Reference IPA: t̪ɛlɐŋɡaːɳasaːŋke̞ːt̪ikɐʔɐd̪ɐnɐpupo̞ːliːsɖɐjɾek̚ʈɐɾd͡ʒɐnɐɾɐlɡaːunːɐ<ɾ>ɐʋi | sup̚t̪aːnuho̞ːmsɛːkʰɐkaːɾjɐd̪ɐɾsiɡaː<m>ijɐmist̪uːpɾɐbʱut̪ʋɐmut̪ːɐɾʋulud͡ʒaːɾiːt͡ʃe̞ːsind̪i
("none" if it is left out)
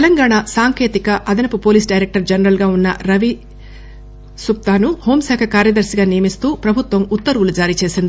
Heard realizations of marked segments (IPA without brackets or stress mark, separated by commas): ɾ, n